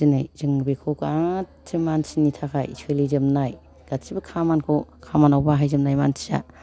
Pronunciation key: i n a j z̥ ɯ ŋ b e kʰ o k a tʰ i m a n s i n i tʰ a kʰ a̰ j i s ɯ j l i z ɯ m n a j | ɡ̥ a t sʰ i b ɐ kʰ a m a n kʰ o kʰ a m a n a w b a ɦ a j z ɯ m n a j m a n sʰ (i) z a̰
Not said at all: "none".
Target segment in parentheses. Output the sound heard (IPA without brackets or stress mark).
i